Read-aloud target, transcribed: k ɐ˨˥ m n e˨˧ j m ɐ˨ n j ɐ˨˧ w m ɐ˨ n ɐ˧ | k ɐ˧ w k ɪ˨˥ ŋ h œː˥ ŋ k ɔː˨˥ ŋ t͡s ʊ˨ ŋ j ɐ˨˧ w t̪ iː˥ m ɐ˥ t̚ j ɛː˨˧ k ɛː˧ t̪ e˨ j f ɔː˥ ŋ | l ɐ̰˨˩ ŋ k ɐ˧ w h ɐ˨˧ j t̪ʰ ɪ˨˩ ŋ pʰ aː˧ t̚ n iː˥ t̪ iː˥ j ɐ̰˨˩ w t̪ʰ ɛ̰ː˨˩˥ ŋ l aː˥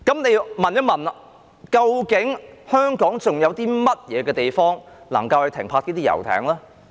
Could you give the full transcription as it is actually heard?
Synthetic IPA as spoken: k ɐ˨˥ m n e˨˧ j m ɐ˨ n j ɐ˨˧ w m ɐ˨ n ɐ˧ | k ɐ˧ w k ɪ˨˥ ŋ h œː˥ ŋ k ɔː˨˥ ŋ t͡s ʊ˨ ŋ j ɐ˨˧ w t̪ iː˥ m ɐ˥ t̚ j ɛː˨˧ k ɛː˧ t̪ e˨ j f ɔː˥ ŋ | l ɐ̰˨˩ ŋ k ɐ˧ w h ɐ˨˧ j t̪ʰ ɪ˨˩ ŋ pʰ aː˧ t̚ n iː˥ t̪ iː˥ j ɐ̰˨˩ w t̪ʰ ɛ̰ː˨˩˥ ŋ l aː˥